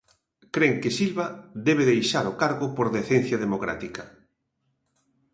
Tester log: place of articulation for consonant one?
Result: velar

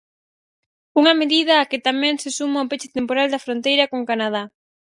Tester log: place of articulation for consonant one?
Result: velar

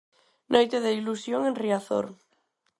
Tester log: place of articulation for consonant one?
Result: alveolar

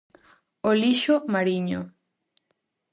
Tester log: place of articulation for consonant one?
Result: alveolar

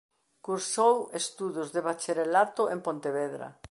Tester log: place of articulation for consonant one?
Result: velar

